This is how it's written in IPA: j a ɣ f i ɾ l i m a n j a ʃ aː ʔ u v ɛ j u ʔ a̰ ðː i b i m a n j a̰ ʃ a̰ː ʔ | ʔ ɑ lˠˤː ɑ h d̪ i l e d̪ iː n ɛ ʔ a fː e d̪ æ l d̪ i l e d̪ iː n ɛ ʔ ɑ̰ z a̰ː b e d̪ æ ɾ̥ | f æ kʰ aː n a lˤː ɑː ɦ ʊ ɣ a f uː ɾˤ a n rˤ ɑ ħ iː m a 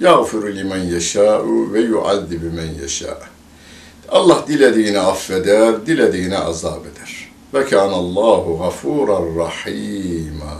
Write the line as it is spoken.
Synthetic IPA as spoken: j a ɣ f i ɾ l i m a n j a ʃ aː ʔ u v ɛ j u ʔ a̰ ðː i b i m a n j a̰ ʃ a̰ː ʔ | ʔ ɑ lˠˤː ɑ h d̪ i l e d̪ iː n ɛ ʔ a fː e d̪ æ ɾ d̪ i l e d̪ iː n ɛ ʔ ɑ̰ z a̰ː b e d̪ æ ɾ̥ | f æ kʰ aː n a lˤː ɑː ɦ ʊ ɣ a f uː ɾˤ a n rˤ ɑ ħ iː m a